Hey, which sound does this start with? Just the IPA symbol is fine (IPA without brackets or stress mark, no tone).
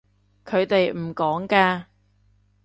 kʰ